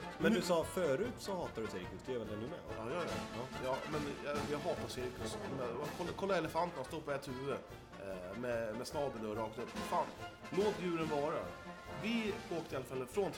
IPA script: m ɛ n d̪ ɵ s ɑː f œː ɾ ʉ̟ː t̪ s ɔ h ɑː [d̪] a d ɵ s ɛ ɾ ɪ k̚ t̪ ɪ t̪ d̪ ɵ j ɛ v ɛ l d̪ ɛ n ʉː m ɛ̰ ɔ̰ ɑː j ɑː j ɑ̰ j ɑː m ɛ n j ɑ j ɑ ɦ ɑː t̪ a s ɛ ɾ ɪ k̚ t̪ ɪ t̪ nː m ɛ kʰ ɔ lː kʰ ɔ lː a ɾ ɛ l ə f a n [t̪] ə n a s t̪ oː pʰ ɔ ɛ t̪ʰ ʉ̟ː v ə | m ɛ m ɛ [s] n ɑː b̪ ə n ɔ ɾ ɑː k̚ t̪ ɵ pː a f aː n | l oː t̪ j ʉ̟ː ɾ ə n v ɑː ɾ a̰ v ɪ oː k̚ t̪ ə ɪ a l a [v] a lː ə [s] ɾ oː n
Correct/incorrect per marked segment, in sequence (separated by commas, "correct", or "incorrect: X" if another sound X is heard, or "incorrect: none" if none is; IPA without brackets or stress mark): incorrect: t̪, correct, correct, incorrect: f, incorrect: f